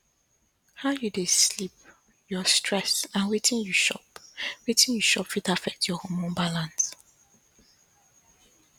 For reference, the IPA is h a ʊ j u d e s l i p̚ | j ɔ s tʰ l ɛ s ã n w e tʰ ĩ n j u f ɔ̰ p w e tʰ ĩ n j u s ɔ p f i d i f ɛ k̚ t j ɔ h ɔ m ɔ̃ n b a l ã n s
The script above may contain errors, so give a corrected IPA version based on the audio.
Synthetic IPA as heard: h a ʊ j u d e s l i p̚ | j ɔ s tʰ ɹ ɛ s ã n w e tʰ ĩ n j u ʃ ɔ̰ p w e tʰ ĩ n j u ʃ ɔ p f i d a f ɛ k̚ t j ɔ h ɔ m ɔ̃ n b a l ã n s

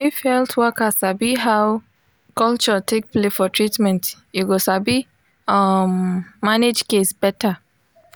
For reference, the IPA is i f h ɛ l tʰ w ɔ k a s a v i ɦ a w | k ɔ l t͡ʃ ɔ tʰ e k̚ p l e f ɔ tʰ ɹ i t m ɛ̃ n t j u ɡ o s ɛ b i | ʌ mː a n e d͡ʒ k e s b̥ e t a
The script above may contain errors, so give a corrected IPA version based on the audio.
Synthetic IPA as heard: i f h ɛ l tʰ w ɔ k a s a b i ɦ a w | k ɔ l t͡ʃ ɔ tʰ e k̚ p l e f ɔ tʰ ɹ i t m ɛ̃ n t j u ɡ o s a b i | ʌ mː a n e d͡ʒ k e s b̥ ɛ t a

